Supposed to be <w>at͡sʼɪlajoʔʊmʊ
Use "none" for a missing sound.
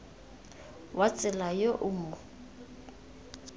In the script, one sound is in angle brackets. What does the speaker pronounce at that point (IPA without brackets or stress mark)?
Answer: w